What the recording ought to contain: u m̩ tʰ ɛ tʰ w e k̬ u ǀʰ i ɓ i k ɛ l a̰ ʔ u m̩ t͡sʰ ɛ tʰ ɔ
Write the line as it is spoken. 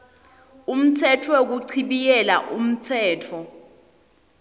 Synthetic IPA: u m̩ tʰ ɛ tʰ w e k̬ u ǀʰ i ɓ i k ɛ l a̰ ʔ u m̩ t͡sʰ ɛː tʰ ɔ